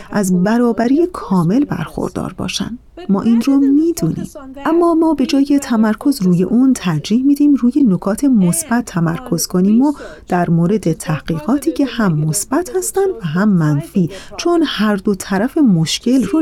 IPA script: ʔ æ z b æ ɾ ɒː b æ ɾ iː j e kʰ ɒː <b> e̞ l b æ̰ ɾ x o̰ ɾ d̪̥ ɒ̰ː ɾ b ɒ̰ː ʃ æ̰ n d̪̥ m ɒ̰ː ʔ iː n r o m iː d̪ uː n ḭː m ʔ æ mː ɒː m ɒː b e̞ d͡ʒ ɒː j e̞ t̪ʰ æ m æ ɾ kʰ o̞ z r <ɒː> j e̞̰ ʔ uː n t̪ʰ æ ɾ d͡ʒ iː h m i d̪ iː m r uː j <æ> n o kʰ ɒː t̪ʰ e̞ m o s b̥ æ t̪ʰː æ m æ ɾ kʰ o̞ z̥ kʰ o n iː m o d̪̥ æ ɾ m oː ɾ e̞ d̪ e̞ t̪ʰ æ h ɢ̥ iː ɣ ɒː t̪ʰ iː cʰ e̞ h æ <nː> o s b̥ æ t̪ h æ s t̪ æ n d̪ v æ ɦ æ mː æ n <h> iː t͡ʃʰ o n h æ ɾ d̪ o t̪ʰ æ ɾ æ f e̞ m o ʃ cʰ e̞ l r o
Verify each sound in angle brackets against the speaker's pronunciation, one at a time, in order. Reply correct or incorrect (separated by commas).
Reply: incorrect, incorrect, incorrect, incorrect, incorrect